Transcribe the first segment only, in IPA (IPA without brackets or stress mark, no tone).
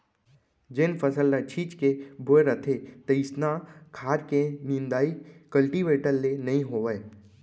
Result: d͡ʒ